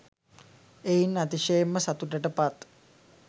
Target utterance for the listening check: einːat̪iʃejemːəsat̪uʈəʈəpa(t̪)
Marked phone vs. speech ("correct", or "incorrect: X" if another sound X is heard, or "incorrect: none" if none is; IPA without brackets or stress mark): correct